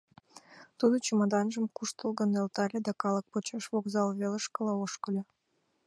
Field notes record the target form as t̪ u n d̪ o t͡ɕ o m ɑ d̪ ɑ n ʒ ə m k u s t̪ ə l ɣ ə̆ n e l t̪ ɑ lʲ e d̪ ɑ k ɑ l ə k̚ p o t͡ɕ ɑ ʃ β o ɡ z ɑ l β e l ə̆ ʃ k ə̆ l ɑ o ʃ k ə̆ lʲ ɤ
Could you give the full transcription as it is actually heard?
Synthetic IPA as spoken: t̪ u d̪ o t͡ɕ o m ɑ d̪ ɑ n ʒ ə m k u ʃ t̪ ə l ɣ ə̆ n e l t̪ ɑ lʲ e d̪ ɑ k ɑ l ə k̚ p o t͡ɕ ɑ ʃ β o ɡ z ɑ l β e l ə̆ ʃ k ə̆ l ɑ o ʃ k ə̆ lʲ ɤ